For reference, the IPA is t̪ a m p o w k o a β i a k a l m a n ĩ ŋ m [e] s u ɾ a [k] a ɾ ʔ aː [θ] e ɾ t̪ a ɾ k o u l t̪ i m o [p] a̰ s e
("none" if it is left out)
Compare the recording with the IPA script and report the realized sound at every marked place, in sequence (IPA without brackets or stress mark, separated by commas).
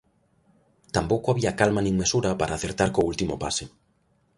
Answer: e, p, θ, p